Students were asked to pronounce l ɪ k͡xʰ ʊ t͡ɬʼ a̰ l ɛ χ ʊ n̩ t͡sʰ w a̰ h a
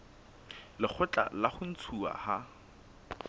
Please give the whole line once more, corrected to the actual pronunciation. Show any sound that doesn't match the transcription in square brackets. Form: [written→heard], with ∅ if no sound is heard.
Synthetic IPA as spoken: l ɪ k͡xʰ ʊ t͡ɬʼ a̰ l [ɛ→a] χ ʊ n̩ t͡sʰ [w→u] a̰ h a